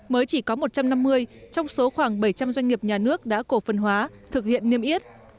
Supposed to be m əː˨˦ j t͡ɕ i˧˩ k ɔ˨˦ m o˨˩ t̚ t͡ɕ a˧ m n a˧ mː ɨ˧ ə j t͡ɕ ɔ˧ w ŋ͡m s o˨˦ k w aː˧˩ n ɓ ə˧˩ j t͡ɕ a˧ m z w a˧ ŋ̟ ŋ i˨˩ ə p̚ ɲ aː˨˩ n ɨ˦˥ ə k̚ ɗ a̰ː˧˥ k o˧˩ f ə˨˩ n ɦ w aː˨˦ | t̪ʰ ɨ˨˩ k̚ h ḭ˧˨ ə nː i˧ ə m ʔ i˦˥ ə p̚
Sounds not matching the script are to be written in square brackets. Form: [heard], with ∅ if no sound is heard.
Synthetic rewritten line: m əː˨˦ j t͡ɕ i˧˩ k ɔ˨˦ m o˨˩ t̚ t͡ɕ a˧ m n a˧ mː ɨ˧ ə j t͡ɕ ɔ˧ w ŋ͡m s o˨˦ [x] w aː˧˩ [ŋ] ɓ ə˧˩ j t͡ɕ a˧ m z w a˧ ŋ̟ ŋ i˨˩ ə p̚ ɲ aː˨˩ n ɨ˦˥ ə k̚ ɗ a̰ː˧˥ k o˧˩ f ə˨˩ n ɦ w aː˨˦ | t̪ʰ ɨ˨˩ k̚ h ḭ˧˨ ə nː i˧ ə m ʔ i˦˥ ə [t̚]